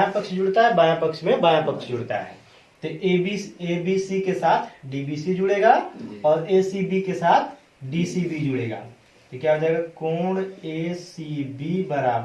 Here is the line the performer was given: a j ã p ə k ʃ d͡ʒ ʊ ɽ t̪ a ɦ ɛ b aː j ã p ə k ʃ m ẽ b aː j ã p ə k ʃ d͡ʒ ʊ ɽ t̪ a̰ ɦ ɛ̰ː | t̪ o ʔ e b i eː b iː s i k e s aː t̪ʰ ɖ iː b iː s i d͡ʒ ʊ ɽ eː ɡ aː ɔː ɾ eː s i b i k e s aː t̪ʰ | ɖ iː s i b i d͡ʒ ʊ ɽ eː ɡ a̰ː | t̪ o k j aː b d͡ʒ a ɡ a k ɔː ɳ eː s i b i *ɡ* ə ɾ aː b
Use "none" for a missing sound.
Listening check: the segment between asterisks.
b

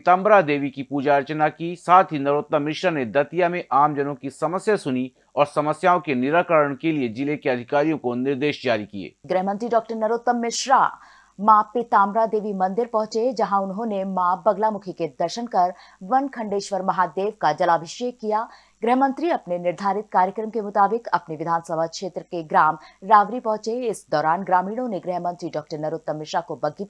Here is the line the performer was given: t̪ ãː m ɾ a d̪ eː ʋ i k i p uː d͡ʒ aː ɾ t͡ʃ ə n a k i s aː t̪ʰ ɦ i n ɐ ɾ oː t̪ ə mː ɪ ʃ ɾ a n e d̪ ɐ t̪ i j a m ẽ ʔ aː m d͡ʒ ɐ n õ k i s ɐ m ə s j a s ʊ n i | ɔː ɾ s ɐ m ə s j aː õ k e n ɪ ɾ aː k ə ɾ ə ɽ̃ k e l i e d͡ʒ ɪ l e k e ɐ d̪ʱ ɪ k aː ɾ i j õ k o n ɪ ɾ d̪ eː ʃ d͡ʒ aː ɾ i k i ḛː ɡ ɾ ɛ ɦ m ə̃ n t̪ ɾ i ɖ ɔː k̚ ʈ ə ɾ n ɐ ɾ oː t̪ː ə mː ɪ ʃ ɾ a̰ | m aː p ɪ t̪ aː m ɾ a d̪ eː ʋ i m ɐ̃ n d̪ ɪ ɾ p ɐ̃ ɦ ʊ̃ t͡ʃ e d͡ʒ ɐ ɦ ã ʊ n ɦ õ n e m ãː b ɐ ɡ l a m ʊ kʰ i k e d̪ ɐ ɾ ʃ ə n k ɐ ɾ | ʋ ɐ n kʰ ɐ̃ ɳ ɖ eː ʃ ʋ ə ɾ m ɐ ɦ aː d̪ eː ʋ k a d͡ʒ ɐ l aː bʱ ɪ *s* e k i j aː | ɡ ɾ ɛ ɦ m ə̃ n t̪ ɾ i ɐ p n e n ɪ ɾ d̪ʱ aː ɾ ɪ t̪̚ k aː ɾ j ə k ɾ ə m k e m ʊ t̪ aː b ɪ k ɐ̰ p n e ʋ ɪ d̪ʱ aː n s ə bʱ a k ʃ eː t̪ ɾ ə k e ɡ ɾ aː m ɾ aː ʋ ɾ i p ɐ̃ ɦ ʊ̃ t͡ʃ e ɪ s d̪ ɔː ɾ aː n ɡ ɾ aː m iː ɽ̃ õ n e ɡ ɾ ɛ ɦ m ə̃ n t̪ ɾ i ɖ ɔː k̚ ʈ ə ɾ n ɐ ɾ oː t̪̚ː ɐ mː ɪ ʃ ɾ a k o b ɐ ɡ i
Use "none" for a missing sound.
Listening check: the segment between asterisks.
ʃ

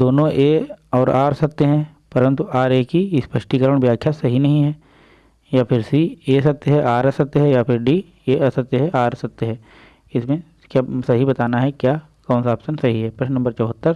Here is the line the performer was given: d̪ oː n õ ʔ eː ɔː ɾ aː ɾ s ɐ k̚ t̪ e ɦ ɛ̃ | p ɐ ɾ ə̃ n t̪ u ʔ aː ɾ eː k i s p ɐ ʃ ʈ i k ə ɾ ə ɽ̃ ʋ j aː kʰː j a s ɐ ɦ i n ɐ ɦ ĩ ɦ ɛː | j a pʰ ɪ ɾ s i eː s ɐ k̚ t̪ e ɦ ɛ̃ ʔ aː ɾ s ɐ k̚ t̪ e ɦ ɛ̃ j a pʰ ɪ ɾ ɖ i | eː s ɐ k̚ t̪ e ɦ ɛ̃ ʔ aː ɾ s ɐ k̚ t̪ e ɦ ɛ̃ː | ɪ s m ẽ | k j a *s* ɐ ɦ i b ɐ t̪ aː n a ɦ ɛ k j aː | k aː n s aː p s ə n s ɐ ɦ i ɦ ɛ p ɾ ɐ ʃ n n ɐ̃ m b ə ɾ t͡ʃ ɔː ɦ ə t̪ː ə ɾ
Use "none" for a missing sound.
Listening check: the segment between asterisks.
s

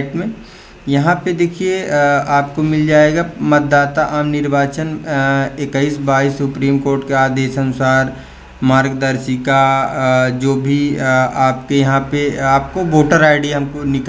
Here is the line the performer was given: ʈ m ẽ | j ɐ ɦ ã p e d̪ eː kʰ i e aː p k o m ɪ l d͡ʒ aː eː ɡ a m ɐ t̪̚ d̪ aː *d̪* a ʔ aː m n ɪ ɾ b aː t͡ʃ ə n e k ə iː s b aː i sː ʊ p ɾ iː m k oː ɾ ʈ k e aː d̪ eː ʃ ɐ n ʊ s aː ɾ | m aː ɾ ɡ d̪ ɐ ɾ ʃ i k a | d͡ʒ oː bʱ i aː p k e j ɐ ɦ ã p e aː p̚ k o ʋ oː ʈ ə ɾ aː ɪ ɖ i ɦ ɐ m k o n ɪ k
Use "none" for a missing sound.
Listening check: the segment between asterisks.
t̪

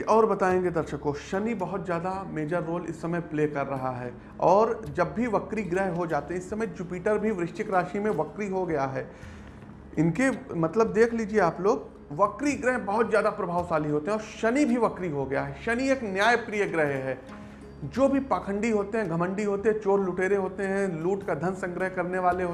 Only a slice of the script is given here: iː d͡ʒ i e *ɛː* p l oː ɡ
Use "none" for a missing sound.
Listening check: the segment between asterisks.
aː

